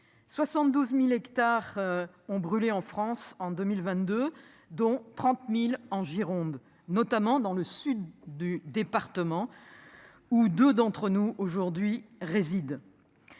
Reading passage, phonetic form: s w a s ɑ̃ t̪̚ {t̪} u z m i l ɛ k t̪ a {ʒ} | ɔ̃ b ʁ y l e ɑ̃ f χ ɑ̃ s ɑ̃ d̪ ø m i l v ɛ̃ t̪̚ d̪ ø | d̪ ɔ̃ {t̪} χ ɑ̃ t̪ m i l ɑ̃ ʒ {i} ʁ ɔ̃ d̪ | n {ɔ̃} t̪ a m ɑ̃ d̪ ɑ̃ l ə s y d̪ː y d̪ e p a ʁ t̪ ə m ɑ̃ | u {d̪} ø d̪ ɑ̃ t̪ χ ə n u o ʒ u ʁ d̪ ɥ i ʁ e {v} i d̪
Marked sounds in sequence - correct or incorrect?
incorrect: d̪, incorrect: ʁ, correct, correct, incorrect: ɔ, correct, incorrect: z

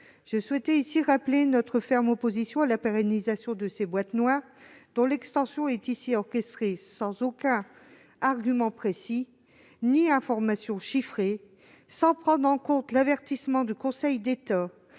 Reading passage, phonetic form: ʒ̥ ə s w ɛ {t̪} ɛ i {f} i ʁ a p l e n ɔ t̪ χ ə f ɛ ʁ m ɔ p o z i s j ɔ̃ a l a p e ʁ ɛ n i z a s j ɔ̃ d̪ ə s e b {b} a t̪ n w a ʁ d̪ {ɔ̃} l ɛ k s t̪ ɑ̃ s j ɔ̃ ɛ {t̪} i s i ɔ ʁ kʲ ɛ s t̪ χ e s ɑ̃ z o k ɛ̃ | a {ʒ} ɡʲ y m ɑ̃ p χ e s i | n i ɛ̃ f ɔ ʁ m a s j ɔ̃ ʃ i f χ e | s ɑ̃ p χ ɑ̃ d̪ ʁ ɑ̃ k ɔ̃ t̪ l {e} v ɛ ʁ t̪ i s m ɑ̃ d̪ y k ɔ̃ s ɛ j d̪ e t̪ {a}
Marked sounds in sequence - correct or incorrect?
correct, incorrect: s, incorrect: w, correct, correct, incorrect: ʁ, incorrect: a, correct

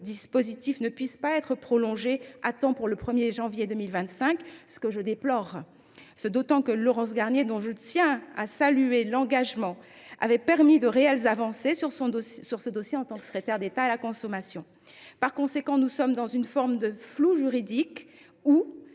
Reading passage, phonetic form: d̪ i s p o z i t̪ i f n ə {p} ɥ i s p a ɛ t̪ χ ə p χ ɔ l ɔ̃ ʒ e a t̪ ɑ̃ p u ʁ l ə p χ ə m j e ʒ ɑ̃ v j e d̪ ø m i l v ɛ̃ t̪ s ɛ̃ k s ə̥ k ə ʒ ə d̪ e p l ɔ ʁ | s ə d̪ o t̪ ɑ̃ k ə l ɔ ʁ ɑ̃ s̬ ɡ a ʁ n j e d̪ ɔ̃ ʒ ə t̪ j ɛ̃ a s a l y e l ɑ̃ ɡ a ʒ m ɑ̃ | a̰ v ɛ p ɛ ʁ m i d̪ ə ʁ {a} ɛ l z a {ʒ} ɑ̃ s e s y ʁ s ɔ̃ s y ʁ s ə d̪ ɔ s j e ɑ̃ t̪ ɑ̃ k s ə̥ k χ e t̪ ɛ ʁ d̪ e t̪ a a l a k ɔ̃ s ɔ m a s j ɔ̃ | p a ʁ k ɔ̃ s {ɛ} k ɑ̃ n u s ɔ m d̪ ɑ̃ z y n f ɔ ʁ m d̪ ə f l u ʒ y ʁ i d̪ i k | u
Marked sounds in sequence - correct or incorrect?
correct, incorrect: e, incorrect: v, incorrect: e

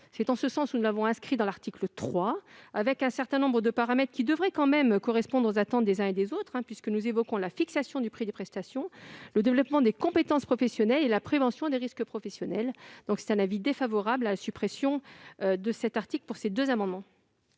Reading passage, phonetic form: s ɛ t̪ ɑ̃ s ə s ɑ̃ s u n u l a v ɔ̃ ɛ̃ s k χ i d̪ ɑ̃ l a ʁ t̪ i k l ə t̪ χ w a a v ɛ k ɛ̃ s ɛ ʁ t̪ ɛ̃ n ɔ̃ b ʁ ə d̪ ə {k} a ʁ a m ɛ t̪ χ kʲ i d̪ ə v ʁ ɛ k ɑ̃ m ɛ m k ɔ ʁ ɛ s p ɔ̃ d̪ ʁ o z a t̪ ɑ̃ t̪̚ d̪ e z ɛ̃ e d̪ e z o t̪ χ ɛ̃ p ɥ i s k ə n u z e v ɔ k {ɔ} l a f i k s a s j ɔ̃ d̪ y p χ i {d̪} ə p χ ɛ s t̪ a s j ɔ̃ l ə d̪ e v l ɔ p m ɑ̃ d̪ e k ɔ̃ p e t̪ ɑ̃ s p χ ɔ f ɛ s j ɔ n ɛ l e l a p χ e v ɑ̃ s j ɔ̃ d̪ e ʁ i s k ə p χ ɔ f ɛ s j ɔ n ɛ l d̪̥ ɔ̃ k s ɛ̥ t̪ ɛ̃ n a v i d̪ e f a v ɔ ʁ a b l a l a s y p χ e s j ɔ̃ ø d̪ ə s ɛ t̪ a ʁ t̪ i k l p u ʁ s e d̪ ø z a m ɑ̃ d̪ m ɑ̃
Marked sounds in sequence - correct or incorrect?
incorrect: p, incorrect: ɔ̃, correct

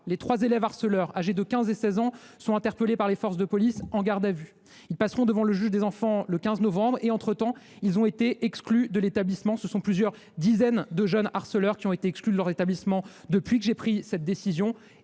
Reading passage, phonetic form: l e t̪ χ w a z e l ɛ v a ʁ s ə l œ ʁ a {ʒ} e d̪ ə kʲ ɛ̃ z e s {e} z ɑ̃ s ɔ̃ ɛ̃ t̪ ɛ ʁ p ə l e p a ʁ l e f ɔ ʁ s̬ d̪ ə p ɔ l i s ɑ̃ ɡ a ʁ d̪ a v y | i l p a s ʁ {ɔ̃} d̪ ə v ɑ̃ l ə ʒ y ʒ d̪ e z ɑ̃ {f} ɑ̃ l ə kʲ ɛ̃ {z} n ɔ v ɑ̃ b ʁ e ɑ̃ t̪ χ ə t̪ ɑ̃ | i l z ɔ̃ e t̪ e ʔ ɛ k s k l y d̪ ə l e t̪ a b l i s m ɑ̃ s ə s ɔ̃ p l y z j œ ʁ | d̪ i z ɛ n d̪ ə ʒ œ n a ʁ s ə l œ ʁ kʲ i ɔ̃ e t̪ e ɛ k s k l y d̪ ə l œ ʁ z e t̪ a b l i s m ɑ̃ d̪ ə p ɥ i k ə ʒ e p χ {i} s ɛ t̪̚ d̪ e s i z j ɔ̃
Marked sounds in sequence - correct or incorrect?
correct, incorrect: ɛ, correct, correct, correct, correct

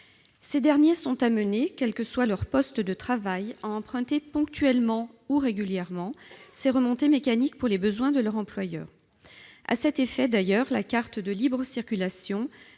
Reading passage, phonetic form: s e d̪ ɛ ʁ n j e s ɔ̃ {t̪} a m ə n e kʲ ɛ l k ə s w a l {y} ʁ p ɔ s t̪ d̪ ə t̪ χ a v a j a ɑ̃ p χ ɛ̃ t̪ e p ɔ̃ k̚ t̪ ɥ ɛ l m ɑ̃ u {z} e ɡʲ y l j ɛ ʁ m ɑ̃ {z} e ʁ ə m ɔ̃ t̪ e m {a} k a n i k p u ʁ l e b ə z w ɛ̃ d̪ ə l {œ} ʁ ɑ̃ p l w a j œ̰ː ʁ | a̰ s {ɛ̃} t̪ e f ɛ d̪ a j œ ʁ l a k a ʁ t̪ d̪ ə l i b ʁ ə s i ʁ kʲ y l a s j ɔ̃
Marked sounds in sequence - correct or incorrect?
correct, incorrect: œ, incorrect: ʁ, incorrect: s, incorrect: e, correct, incorrect: ɛ

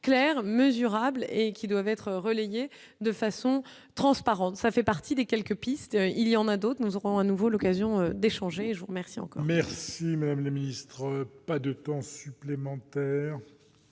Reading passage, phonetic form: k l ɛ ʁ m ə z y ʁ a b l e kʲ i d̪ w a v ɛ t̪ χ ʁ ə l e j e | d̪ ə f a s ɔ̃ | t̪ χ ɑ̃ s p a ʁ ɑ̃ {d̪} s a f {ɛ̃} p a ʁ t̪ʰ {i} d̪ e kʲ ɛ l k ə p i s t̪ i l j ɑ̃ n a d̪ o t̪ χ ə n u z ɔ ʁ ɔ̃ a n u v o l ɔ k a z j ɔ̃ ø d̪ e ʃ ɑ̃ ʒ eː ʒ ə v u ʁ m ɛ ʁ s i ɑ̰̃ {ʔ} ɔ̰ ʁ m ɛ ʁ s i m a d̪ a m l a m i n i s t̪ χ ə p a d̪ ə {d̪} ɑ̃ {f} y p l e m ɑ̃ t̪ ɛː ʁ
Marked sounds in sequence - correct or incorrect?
incorrect: t̪, incorrect: ɛ, correct, incorrect: k, incorrect: t̪, incorrect: s

